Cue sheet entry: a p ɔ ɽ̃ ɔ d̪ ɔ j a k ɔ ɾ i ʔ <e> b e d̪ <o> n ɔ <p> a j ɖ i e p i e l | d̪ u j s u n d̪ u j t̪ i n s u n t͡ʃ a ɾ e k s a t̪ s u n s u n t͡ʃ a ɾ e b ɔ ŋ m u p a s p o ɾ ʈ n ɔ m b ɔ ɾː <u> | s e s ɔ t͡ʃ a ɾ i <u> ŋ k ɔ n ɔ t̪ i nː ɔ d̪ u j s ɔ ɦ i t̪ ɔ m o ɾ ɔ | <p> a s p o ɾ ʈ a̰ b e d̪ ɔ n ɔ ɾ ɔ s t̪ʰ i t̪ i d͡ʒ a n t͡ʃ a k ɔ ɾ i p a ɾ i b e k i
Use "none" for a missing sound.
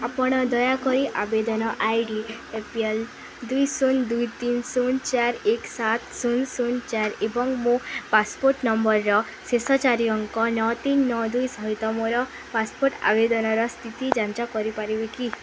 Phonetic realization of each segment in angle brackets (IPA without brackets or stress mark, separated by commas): a, ɔ, ʔ, ɔ, ɔ, p